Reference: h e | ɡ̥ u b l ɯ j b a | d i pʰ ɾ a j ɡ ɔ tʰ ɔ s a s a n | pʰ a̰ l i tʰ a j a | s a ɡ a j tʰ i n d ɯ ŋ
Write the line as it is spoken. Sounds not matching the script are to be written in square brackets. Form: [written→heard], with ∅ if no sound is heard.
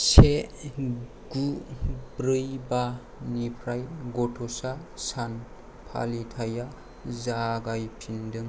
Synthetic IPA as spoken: [h→s] e | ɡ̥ u b [l→ɾ] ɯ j b a | [d→n] i pʰ ɾ a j ɡ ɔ tʰ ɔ s a s a n | pʰ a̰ l i tʰ a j a | [s→z] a ɡ a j [tʰ→pʰ] i n d ɯ ŋ